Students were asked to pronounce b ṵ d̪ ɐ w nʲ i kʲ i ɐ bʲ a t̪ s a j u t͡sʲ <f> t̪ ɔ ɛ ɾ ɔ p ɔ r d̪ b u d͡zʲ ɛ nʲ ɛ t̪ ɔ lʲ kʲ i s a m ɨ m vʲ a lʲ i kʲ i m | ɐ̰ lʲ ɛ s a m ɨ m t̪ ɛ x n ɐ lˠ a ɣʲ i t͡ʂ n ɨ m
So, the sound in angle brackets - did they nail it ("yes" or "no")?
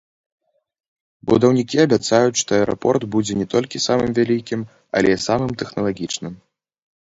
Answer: no